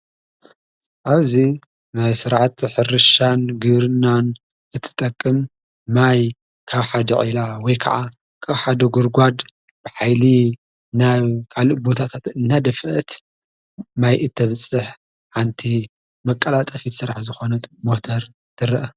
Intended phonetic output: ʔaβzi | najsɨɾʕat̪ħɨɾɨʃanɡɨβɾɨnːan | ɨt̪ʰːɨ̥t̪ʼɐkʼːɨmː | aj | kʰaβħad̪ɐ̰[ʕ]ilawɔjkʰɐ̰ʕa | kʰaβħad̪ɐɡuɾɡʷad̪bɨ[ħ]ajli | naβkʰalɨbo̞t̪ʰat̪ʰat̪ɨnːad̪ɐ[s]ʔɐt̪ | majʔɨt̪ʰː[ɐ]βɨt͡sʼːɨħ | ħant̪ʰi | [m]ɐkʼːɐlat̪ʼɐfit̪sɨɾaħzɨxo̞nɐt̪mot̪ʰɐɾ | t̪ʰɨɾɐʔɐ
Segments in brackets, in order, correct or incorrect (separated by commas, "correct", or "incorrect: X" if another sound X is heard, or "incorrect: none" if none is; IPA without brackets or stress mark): correct, correct, incorrect: f, correct, correct